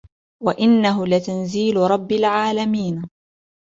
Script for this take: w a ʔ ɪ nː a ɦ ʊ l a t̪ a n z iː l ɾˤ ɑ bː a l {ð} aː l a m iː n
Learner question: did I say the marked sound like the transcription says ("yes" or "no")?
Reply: no